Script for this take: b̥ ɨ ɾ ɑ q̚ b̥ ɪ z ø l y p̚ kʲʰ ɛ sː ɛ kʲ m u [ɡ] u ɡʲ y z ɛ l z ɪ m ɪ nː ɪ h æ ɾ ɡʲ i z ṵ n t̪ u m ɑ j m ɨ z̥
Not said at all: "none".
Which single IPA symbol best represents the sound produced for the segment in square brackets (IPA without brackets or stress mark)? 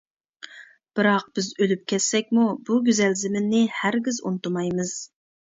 b